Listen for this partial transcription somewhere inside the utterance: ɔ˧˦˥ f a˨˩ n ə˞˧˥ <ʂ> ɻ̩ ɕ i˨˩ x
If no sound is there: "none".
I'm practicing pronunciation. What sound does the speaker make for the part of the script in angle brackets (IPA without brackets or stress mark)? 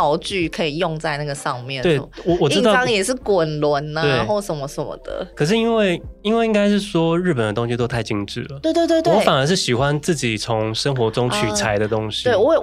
ʂ